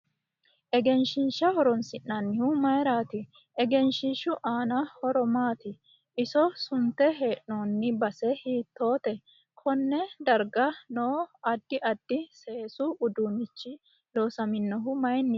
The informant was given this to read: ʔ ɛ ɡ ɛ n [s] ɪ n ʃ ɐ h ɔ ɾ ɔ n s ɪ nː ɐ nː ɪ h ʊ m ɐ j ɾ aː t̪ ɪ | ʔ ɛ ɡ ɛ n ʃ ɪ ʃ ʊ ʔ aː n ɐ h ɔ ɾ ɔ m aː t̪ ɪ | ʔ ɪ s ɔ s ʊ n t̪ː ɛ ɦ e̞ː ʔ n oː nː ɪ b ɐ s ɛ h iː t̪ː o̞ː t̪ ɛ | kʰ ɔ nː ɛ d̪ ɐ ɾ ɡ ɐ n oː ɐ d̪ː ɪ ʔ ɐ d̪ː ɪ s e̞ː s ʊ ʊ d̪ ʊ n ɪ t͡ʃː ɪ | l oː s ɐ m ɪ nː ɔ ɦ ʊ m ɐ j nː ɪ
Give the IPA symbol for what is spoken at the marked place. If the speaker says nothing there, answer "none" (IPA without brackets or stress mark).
ʃ